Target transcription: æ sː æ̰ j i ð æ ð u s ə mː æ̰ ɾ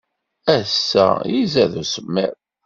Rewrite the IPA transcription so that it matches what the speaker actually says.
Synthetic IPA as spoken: æ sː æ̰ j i z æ ð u s ə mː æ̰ ɾ